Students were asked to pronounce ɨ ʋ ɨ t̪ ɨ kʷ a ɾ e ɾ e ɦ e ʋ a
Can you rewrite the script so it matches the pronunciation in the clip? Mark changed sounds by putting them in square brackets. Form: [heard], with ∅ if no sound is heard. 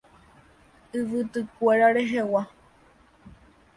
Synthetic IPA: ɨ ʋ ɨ t̪ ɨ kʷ [e] ɾ [a] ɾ e ɦ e [w] a